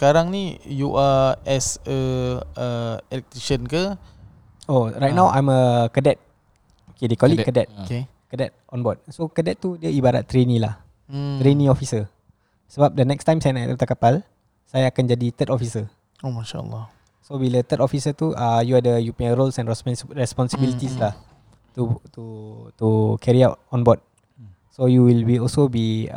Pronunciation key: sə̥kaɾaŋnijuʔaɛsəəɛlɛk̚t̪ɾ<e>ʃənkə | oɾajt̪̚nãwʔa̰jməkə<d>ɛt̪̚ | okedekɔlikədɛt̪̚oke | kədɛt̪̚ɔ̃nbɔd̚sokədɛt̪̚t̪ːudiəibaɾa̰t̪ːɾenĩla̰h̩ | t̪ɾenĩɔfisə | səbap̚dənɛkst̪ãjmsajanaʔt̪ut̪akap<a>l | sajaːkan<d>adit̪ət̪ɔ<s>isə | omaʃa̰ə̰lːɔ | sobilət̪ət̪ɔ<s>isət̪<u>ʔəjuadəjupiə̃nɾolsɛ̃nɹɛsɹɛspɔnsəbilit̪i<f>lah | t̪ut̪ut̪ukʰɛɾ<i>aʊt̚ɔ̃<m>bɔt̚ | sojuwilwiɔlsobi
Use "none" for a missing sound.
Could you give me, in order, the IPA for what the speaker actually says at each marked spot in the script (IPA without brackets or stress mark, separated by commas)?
i, d, a, d͡ʒ, f, f, u, s, i, n